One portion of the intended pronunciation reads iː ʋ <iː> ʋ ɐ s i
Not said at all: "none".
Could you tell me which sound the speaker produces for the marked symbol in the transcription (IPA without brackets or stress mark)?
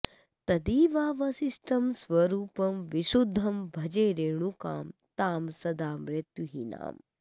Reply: aː